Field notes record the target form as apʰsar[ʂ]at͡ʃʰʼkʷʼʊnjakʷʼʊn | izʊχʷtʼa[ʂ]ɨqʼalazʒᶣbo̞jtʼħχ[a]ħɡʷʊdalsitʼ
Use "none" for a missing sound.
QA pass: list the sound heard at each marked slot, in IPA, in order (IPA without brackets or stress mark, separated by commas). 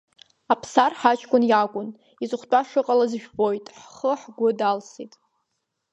ħ, ʂ, ə